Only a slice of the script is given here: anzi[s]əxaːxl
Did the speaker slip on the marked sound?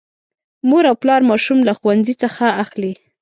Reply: yes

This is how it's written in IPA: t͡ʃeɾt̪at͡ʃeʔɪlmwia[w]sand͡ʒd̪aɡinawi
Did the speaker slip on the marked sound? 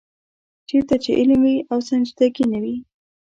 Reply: no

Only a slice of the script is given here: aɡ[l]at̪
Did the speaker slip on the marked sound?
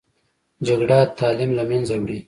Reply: yes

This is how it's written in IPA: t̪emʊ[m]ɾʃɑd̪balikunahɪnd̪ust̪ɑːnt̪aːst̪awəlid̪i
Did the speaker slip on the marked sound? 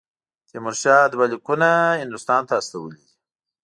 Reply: yes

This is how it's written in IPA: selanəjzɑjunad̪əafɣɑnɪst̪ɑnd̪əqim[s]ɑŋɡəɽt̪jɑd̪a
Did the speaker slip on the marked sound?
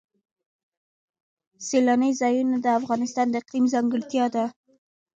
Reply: yes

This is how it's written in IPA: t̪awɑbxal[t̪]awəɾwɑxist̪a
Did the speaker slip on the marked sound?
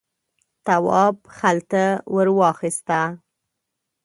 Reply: no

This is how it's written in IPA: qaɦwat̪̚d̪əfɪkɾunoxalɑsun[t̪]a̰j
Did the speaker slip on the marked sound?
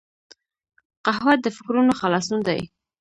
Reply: yes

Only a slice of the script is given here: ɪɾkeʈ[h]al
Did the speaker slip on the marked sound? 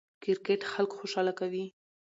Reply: yes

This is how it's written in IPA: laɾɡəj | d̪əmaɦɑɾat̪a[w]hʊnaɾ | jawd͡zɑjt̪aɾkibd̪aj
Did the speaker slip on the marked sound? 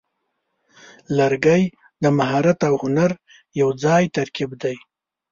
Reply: no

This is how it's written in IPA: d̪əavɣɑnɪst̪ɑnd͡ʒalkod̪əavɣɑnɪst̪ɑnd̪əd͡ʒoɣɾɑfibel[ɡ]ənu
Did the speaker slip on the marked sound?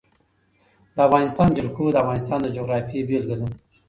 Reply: no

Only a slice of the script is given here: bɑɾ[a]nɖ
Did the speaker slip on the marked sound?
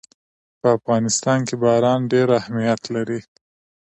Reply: yes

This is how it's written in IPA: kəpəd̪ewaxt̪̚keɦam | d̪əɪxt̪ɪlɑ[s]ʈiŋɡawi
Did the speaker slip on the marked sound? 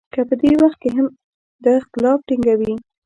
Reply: yes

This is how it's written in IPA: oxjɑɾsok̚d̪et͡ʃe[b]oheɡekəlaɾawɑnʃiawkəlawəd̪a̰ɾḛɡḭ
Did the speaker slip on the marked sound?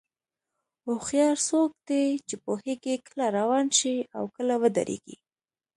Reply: yes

